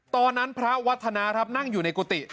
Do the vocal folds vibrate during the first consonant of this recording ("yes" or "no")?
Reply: no